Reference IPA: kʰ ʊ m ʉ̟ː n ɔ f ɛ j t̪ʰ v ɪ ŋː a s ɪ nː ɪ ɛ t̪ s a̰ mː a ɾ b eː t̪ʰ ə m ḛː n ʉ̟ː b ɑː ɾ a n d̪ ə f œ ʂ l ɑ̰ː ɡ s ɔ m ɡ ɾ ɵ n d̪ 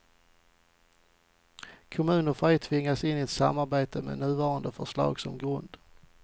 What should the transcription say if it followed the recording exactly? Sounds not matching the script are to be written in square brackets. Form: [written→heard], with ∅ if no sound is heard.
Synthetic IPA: kʰ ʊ m ʉ̟ː n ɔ f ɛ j t̪ʰ v ɪ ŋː a s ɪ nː ɪ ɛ t̪ s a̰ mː a ɾ b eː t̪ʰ ə m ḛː n ʉ̟ː [b→v] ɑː ɾ a n d̪ ə f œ ʂ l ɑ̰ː ɡ s ɔ m ɡ ɾ ɵ n d̪

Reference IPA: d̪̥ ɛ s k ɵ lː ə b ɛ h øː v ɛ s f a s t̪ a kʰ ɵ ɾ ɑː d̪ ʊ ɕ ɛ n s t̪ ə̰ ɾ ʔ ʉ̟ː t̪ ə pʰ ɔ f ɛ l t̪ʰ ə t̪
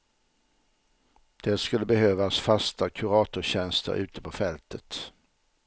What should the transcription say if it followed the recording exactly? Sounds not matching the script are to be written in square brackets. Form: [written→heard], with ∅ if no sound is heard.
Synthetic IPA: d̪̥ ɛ s k ɵ lː ə b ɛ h øː v [ɛ→a] s f a s t̪ a kʰ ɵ ɾ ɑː [d̪→t̪] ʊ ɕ ɛ n s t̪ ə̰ ɾ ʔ ʉ̟ː t̪ ə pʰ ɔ f ɛ l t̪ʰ ə t̪

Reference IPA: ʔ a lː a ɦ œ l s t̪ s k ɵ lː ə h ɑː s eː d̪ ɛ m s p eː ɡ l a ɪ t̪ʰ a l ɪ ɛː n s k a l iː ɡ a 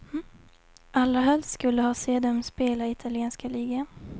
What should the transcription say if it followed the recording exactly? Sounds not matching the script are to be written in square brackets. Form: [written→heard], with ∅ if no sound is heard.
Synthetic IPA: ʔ a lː a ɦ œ l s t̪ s k ɵ lː ə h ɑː s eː d̪ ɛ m s p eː [ɡ→∅] l a ɪ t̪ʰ a l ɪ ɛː n s k a l iː ɡ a

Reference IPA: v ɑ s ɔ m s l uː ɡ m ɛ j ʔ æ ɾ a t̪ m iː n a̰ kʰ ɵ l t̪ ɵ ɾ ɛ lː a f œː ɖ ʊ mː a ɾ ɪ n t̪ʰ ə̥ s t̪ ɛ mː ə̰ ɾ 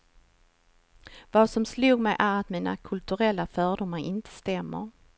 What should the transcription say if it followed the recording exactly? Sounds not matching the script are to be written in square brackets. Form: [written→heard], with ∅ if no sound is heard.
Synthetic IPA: v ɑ s ɔ m s l uː ɡ m ɛ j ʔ æ ɾ a t̪ m iː n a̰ kʰ ɵ l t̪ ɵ ɾ ɛ lː a f œː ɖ ʊ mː a ɾ ɪ n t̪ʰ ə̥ s t̪ ɛ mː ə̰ ɾ

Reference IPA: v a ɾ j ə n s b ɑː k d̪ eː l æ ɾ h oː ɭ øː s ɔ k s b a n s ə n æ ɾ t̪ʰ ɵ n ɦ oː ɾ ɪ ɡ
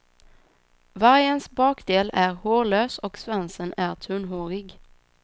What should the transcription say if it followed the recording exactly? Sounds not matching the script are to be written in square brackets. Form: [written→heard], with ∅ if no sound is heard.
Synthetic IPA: v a ɾ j ə n s b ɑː k d̪ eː l æ ɾ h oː ɭ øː s ɔ k s [b→v] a n s ə n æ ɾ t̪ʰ ɵ n ɦ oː ɾ ɪ ɡ

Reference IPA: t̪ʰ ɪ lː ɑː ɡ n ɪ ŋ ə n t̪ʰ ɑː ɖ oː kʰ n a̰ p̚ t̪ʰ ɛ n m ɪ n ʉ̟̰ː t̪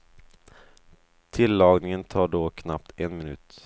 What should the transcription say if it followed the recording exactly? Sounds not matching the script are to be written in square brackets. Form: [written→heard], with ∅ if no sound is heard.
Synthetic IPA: t̪ʰ ɪ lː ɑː ɡ n ɪ ŋ ə n t̪ʰ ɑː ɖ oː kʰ n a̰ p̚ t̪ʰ ɛ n m ɪ n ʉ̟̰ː t̪

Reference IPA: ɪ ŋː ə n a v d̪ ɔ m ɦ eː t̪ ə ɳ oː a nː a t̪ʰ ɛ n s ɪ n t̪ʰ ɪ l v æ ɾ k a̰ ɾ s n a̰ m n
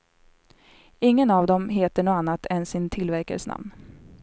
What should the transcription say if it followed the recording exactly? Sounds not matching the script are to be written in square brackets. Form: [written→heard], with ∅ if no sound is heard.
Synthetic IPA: ɪ ŋː ə n a v d̪ ɔ m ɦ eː t̪ ə ɳ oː a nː a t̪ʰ ɛ n s ɪ n t̪ʰ ɪ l v æ ɾ k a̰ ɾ s n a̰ m n

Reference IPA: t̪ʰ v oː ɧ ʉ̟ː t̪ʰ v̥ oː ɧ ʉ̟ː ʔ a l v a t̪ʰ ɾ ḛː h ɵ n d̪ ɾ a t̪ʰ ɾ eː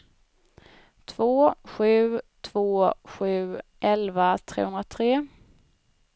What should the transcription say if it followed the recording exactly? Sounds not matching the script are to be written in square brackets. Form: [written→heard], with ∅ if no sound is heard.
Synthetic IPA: t̪ʰ v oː ɧ ʉ̟ː t̪ʰ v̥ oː ɧ ʉ̟ː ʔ [a→ɛ] l v a t̪ʰ ɾ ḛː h ɵ n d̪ ɾ a t̪ʰ ɾ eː

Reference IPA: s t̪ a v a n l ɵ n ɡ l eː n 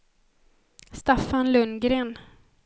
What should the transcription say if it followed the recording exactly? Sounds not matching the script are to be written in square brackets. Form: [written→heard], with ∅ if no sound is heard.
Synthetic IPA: s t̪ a [v→f] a n l ɵ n ɡ [l→ɾ] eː n

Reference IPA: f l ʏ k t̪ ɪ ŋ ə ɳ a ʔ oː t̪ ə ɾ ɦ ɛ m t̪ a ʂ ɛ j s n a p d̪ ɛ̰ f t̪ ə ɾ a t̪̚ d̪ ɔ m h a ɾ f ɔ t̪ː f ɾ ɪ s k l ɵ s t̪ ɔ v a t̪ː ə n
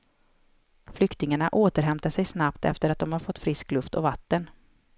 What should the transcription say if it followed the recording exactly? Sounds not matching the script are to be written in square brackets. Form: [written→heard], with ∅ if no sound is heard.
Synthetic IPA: f l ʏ k t̪ ɪ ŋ [ə→a] ɳ a ʔ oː t̪ ə ɾ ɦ ɛ m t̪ a ʂ ɛ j s n a p [d̪→t̪] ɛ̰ f t̪ ə ɾ a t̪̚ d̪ ɔ m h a ɾ f ɔ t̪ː f ɾ ɪ s k l ɵ [s→f] t̪ ɔ v a t̪ː ə n

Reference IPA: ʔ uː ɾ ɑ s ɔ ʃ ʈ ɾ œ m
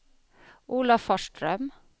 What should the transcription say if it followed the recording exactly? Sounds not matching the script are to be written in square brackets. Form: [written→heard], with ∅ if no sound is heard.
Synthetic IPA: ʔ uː [ɾ→l] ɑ [s→f] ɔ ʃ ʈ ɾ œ m

